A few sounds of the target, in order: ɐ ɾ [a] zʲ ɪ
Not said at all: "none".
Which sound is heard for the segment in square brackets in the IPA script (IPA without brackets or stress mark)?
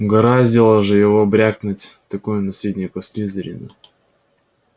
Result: a